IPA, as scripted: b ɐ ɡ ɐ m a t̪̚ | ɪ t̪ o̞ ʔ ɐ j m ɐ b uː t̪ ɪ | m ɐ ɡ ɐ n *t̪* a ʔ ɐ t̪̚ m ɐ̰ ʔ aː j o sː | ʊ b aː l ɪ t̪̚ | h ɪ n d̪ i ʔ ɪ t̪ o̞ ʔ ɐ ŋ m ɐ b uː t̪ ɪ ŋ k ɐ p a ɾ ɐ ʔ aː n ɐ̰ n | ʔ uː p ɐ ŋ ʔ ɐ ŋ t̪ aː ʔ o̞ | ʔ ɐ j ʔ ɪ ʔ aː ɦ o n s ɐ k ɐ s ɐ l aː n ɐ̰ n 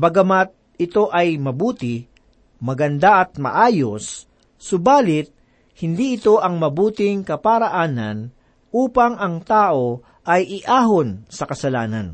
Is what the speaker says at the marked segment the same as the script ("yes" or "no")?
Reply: no